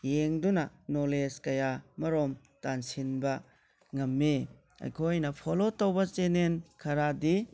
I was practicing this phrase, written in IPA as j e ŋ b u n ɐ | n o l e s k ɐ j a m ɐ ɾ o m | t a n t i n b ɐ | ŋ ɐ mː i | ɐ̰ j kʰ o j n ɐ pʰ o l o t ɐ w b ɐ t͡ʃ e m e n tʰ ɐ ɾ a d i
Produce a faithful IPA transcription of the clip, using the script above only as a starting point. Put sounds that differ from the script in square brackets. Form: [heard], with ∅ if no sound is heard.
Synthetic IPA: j e ŋ [d] u n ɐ | n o l e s k ɐ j a m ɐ ɾ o m | t a n [s] i n b ɐ | ŋ ɐ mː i | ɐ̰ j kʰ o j n ɐ pʰ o l o t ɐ w b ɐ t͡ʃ e [n] e n [kʰ] ɐ ɾ a d i